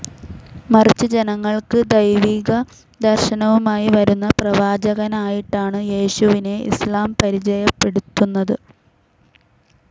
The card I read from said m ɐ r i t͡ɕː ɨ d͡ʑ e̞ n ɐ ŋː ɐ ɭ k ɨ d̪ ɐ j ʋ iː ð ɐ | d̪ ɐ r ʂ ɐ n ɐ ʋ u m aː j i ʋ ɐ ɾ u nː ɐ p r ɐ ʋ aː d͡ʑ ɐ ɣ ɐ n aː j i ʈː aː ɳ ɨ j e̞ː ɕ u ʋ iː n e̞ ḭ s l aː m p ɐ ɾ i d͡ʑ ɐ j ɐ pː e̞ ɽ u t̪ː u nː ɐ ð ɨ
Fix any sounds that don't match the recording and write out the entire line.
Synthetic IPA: m ɐ r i t͡ɕː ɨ d͡ʑ e̞ n ɐ ŋː ɐ ɭ k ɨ d̪ ɐ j ʋ iː ɣ ɐ | d̪ ɐ r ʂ ɐ n ɐ ʋ u m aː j i ʋ ɐ ɾ u nː ɐ p r ɐ ʋ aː d͡ʑ ɐ ɣ ɐ n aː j i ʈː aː ɳ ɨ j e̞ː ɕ u ʋ i n e̞ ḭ s l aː m p ɐ ɾ i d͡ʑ ɐ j ɐ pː e̞ ɽ u t̪ː u nː ɐ ð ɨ